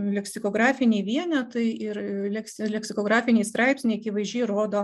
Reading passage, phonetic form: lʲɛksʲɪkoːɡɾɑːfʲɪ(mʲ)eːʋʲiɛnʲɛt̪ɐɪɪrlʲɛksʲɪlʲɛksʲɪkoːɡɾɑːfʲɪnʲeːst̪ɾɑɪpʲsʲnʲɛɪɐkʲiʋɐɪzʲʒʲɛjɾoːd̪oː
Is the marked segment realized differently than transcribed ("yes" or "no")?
yes